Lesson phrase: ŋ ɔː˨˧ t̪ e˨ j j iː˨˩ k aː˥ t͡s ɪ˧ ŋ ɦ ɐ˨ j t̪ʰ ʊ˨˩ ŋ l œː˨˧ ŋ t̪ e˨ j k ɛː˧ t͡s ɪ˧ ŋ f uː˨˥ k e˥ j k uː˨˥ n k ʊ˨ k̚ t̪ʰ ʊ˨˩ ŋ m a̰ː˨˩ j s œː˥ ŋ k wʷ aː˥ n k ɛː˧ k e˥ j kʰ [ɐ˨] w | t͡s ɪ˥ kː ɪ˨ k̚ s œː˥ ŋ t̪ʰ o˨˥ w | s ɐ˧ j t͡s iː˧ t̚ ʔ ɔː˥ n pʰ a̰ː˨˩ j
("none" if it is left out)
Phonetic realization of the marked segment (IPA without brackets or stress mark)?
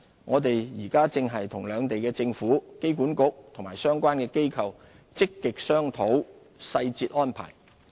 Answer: ɐ˨